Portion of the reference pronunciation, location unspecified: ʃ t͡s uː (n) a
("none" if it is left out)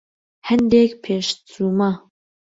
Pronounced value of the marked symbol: m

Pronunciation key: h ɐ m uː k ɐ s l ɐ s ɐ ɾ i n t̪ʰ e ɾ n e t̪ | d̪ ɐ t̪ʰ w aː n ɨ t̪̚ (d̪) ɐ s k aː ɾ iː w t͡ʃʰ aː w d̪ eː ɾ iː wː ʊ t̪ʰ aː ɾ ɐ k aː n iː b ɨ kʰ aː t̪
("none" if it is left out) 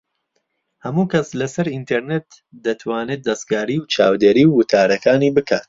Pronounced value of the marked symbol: d̪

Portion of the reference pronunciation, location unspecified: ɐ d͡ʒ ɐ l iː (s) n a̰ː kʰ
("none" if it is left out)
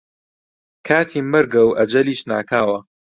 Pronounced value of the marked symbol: ʃ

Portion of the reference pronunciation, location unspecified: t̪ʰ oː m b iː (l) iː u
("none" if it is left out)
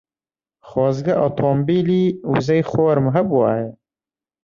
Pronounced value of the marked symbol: l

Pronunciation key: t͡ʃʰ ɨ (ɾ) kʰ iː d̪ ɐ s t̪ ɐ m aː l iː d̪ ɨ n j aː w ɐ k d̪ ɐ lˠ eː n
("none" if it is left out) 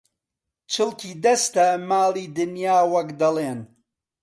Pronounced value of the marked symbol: l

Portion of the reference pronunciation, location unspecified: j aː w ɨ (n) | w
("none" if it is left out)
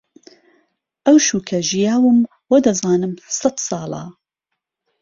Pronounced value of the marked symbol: m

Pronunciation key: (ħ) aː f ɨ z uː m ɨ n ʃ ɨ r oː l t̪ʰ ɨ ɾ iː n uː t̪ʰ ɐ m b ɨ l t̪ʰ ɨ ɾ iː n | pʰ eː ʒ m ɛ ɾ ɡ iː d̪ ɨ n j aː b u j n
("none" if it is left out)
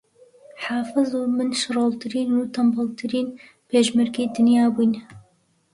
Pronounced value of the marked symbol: ħ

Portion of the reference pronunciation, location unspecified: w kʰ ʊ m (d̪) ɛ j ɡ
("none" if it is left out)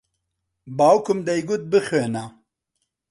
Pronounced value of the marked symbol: d̪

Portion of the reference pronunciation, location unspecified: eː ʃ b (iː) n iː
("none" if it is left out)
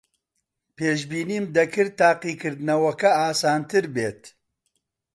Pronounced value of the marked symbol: iː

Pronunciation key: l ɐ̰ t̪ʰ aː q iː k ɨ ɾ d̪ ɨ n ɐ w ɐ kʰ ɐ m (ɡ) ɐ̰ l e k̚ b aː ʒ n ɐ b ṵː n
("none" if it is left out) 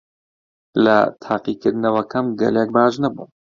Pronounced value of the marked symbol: ɡ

